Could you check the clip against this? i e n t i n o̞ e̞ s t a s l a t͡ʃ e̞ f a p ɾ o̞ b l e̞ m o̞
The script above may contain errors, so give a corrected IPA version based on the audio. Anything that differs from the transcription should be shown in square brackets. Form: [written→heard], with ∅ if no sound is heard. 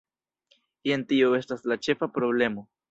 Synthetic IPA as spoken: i e n t i [n→∅] o̞ e̞ s t a s l a t͡ʃ e̞ f a p ɾ o̞ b l e̞ m o̞

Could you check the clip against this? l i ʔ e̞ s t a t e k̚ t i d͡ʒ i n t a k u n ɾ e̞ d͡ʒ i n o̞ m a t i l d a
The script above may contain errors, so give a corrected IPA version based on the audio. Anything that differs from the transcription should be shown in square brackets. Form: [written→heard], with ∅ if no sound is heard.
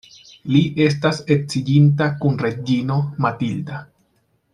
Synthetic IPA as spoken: l i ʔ e̞ s t a [t→s] e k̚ [t→t͡s] i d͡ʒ i n t a k u n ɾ e̞ d͡ʒ i n o̞ m a t i l d a

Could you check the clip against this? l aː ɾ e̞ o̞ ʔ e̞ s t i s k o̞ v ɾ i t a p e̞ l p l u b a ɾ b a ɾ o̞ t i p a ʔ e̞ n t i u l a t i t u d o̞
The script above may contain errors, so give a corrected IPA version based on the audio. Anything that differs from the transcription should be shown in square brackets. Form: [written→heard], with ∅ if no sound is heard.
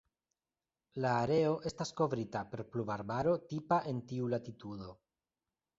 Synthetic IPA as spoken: l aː ɾ e̞ o̞ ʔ e̞ s t [i→a] s k o̞ v ɾ i t a p e̞ [l→ɾ] p l u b a ɾ b a ɾ o̞ t i p a ʔ e̞ n t i u l a t i t u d o̞

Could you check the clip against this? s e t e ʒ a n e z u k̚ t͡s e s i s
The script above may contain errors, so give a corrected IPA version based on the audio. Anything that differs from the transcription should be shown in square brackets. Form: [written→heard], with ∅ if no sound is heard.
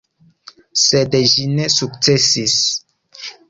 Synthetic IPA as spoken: s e [t→d] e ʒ [a→i] n e [z→s] u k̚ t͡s e s i s

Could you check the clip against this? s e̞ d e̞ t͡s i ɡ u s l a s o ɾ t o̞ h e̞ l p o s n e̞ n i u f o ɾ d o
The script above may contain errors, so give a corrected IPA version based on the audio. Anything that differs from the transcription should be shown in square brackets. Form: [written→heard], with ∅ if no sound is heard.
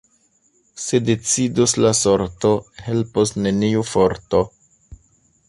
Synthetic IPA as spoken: s e̞ d e̞ t͡s i [ɡ→d] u s l a s o ɾ t o̞ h e̞ l p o s n e̞ n i u f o ɾ [d→t] o

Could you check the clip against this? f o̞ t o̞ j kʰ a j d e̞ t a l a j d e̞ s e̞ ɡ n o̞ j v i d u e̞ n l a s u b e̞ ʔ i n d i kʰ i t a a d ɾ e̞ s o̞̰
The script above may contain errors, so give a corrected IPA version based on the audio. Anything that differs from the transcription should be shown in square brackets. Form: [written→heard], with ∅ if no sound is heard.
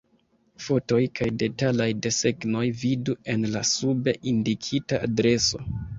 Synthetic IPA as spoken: f o̞ t o̞ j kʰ a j d e̞ t a l a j d e̞ s e̞ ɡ n o̞ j v i d u e̞ n l a s u b e̞ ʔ i n d i kʰ i t a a d ɾ e̞ s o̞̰

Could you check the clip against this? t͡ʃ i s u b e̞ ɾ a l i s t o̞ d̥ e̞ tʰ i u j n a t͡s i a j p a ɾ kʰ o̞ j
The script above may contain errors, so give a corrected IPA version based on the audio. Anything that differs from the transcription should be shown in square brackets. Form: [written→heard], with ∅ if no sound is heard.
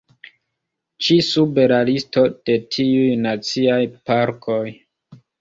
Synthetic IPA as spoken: t͡ʃ i s u b e̞ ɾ a l i s t o̞ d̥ e̞ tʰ i u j n a t͡s i a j p a ɾ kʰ o̞ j

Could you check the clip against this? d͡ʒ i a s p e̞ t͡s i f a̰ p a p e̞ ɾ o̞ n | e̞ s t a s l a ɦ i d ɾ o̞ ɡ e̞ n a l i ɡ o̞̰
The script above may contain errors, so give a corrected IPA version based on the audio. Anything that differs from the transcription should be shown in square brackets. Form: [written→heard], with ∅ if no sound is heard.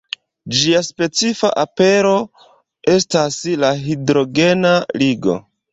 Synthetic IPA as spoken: d͡ʒ i a s p e̞ t͡s i f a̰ [p→ʔ] a p e̞ ɾ o̞ [n→∅] | e̞ s t a s l a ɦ i d ɾ o̞ ɡ e̞ n a l i ɡ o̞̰

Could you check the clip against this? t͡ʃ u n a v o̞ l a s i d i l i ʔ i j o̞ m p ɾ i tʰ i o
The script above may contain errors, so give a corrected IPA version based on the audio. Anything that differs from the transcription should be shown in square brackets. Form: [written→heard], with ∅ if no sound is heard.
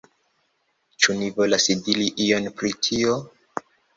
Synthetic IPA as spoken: t͡ʃ u n [a→i] v o̞ l a s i d i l i ʔ i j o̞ [m→n] p ɾ i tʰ i o

